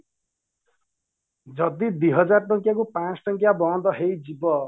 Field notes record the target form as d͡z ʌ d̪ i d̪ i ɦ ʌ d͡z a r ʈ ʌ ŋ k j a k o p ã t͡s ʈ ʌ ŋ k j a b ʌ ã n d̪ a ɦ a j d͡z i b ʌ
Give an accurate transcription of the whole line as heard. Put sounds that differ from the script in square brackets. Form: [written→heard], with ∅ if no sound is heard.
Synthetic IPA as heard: d͡z ʌ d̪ i d̪ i ɦ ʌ d͡z a r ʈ ʌ ŋ k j a k o p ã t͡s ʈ ʌ ŋ k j a b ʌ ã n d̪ [a→ʌ] ɦ [a→e] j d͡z i b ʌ

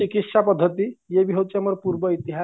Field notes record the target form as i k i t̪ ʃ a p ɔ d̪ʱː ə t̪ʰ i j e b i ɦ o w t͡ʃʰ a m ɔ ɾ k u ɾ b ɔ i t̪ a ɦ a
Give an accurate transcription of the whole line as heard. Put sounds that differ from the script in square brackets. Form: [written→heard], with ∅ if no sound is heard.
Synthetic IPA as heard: i k i t̪ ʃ a p ɔ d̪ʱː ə [t̪ʰ→t̪] i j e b i ɦ o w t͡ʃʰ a m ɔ ɾ [k→p] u ɾ b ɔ i t̪ [a→i] ɦ a

